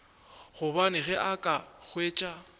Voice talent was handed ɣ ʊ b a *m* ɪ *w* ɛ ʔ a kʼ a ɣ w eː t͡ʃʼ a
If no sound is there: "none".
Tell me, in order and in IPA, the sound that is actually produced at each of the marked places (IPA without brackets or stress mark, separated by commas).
n, ɣ